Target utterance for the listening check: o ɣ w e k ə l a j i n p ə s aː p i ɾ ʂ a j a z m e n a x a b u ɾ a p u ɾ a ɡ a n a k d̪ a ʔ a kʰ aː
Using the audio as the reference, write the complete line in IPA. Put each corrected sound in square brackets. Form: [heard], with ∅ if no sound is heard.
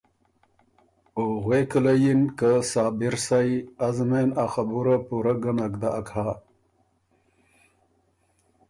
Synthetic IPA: o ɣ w e k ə l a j i n [k] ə s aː [b] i ɾ [s] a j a z m e n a x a b u ɾ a p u ɾ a ɡ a n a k d̪ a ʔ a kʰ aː